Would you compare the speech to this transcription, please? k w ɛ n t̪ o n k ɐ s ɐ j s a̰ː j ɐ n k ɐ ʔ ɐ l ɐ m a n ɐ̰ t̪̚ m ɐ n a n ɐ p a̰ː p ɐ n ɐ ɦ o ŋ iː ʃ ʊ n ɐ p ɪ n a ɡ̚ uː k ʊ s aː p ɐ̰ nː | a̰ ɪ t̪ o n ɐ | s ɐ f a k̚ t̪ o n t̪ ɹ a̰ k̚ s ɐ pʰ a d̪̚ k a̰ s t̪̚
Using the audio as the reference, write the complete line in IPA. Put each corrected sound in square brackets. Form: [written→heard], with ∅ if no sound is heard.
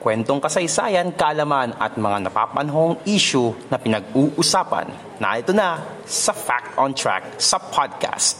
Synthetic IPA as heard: k w ɛ n t̪ o [n→ŋ] k ɐ s ɐ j s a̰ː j ɐ n k ɐ ʔ ɐ l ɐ m a n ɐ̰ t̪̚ m ɐ [n→ŋ] a n ɐ p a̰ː p ɐ n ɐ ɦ o ŋ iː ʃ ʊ n ɐ p ɪ n [a→ɐ] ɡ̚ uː [k→ʔ] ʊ s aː p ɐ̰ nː | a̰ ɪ t̪ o n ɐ | s ɐ f a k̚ t̪ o n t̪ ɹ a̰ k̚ s ɐ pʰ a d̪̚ k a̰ s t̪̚